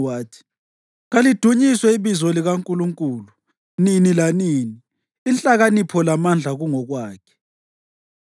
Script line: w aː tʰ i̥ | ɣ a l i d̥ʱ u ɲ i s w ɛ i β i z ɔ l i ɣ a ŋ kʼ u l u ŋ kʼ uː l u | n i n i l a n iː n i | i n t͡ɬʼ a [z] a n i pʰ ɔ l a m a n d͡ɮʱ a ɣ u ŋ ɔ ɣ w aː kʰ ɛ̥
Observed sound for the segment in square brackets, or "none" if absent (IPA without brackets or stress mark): ɣ